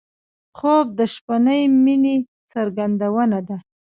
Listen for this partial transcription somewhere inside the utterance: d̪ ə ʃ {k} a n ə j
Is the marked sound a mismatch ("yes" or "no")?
yes